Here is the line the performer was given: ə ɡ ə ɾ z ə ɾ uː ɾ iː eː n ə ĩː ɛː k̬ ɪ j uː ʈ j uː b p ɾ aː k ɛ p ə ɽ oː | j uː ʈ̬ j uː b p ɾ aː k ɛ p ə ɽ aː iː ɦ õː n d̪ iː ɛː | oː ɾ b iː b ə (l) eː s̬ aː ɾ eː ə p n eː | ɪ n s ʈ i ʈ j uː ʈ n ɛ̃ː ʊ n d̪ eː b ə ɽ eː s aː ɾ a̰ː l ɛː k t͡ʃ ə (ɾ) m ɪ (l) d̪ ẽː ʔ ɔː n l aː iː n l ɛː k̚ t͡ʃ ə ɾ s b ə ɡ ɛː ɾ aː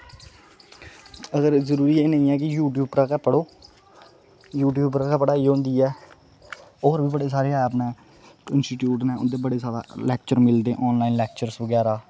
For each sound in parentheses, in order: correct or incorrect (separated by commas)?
incorrect, correct, correct